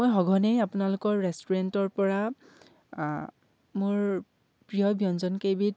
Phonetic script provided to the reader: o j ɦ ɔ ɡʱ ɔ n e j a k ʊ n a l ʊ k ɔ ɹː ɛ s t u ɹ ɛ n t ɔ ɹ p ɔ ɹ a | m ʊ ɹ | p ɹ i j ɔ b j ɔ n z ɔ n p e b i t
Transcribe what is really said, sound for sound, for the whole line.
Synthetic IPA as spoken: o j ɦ ɔ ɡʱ ɔ n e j a p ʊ n a l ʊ k ɔ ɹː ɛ s t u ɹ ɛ n t ɔ ɹ p ɔ ɹ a | m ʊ ɹ | p ɹ i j ɔ b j ɔ n z ɔ n k e b i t